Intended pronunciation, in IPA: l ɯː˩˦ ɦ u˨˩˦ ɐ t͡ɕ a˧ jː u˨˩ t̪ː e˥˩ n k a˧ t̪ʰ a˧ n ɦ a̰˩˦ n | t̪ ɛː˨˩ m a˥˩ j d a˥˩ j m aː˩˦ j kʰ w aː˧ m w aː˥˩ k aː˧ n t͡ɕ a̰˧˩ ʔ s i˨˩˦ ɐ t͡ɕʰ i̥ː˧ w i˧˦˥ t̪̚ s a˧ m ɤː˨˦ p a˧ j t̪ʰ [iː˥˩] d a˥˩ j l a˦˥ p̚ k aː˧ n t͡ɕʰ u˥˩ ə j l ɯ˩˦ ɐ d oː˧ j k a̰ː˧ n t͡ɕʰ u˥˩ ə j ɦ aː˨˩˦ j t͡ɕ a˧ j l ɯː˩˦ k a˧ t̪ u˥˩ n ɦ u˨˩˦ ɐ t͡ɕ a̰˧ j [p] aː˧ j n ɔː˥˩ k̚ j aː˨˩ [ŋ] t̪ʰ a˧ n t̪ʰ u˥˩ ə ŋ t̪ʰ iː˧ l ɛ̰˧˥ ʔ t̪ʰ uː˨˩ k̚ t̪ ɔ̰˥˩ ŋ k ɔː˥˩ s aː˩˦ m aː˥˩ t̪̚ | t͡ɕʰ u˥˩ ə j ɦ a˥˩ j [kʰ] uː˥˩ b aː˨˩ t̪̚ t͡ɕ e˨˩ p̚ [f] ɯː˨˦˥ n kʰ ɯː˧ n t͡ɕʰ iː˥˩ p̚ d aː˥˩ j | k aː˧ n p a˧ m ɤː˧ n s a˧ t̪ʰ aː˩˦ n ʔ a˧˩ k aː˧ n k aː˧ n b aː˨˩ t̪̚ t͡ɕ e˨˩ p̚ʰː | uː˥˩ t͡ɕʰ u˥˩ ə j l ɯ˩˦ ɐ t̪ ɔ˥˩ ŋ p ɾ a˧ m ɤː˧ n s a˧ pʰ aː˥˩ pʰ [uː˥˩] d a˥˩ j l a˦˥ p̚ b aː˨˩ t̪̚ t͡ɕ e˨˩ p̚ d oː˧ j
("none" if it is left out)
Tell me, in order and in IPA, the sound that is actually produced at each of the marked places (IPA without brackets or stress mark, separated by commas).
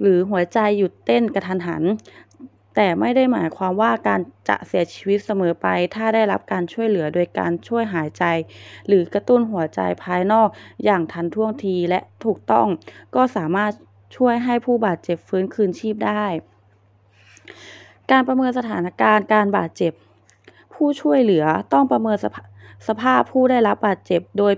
aː˥˩, pʰ, ŋ, pʰ, f, uː˥˩